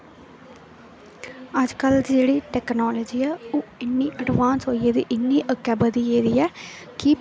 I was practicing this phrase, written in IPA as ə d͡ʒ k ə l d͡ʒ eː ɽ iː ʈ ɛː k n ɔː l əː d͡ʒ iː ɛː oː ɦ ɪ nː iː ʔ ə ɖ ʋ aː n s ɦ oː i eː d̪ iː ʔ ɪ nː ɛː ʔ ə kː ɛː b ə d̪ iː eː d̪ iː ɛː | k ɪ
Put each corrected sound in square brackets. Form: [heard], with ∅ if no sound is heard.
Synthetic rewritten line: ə d͡ʒ k ə l d͡ʒ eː ɽ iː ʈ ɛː k n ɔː l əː d͡ʒ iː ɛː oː [∅] ɪ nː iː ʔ ə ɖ ʋ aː n s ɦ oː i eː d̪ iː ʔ ɪ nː [iː] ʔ ə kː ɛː b ə d̪ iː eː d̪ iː ɛː | k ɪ